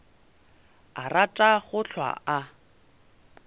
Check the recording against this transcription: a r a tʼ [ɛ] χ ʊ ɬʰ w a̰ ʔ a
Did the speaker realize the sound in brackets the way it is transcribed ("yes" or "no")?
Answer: no